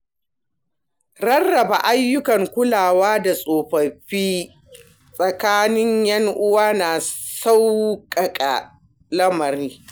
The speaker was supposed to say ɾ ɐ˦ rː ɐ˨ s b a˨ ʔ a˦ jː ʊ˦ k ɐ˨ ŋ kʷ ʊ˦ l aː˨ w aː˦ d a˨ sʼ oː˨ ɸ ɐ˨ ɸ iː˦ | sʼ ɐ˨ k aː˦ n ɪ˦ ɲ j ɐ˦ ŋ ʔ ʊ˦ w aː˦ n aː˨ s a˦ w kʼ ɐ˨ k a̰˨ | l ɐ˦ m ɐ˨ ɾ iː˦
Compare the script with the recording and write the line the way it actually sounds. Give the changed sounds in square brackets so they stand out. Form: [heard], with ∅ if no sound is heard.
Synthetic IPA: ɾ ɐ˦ rː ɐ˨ [∅] b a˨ ʔ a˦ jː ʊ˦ k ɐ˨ ŋ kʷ ʊ˦ l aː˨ w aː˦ d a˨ sʼ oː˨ ɸ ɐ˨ ɸ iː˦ | sʼ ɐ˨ k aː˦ n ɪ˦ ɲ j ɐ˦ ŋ ʔ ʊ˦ w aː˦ n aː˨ s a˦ w kʼ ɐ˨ [kʼ] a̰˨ | l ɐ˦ m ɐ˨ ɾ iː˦